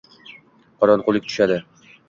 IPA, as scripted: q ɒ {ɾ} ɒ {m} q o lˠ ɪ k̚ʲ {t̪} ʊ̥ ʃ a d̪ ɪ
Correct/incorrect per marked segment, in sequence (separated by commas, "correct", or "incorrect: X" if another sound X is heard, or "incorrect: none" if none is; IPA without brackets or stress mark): correct, incorrect: n, correct